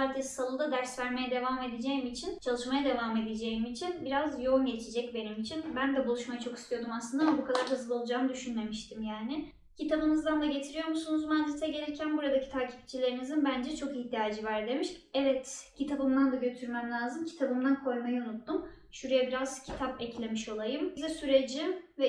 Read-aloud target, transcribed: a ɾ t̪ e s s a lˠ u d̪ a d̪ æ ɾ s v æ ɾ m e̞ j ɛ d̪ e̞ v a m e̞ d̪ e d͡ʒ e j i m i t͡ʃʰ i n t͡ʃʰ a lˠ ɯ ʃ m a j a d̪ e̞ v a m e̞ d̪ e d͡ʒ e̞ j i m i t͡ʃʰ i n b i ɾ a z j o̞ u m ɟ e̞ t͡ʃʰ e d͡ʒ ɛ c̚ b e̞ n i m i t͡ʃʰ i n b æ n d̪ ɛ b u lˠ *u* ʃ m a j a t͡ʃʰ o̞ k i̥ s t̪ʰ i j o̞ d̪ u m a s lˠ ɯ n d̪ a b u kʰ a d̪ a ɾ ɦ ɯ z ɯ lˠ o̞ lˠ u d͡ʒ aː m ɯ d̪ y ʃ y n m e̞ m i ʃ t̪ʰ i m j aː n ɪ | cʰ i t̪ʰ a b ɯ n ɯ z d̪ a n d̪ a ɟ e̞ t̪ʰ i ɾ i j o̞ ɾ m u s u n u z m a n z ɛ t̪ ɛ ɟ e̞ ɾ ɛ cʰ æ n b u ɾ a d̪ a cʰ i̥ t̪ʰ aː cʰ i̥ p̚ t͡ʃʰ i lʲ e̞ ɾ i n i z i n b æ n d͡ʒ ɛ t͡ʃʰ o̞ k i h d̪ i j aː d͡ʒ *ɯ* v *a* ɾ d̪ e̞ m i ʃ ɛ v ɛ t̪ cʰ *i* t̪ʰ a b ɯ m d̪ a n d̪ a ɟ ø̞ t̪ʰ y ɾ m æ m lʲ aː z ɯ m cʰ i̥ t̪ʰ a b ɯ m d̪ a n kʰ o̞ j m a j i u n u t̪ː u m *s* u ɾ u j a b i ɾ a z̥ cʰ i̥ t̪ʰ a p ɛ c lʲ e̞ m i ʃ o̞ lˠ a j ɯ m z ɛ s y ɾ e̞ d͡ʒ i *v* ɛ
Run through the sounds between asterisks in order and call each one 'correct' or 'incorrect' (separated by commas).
correct, correct, incorrect, correct, incorrect, correct